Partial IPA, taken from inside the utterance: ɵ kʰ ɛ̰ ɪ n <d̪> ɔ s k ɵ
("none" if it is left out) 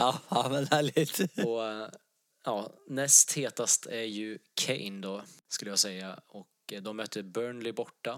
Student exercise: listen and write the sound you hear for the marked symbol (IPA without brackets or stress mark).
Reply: d̪